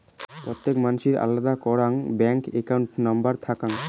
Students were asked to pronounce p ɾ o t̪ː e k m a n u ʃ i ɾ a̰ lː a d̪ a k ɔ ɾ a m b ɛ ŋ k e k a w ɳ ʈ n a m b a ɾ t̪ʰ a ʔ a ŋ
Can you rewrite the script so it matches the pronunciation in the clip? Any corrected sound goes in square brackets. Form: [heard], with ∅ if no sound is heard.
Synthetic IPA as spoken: p ɾ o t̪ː e k m a n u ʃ i ɾ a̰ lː a d̪ a k ɔ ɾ a [ŋ] b ɛ ŋ k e k a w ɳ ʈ n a m b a ɾ t̪ʰ a [k] a ŋ